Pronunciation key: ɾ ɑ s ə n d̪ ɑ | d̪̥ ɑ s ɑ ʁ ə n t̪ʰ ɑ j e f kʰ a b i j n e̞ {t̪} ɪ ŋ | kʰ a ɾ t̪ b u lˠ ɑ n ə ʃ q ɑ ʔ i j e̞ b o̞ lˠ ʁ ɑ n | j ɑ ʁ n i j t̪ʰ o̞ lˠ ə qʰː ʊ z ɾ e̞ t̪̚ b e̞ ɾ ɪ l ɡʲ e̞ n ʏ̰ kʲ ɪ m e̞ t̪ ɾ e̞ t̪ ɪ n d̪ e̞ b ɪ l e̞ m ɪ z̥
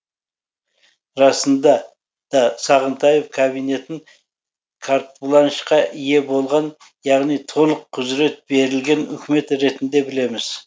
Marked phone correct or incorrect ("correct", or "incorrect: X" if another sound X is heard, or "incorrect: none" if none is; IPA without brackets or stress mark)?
correct